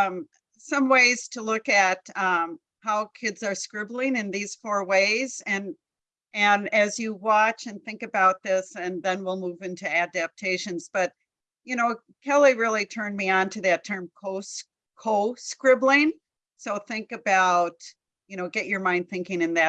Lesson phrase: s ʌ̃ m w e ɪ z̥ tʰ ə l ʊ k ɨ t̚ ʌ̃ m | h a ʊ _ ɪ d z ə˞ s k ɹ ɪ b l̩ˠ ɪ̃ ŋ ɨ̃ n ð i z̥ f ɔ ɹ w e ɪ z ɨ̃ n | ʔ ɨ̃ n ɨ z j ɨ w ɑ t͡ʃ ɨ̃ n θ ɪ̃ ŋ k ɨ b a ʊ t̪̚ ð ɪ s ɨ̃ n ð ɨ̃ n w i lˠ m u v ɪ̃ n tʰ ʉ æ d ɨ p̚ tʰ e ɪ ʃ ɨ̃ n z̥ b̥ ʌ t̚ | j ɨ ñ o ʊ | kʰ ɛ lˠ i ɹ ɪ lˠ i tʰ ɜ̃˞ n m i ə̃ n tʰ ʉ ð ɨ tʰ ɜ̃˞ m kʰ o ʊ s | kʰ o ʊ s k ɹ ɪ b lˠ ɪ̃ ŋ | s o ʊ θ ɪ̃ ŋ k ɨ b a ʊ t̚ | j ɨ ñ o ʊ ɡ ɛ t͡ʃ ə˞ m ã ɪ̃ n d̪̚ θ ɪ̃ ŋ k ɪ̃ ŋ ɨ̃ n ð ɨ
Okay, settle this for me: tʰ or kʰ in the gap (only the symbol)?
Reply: kʰ